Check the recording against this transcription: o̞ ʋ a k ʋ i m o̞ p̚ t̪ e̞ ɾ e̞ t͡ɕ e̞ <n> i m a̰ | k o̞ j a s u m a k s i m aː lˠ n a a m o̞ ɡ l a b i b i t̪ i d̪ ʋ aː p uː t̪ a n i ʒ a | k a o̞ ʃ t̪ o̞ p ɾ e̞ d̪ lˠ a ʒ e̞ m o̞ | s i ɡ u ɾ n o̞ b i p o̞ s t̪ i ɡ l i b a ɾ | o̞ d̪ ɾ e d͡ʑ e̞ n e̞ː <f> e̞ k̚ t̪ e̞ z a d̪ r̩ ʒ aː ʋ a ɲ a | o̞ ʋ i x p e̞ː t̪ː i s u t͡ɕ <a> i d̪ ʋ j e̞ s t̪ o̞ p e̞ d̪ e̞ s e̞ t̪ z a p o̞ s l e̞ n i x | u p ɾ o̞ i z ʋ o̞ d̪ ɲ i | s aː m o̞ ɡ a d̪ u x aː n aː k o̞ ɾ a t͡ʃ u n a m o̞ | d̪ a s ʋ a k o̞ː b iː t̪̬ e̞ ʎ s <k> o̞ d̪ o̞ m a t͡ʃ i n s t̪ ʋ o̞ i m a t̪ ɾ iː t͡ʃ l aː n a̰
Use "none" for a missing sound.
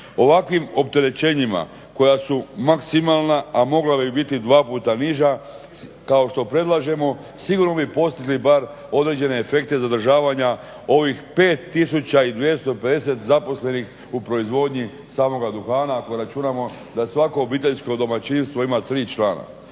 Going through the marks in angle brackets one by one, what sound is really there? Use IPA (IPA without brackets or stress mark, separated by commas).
ɲ, f, a, k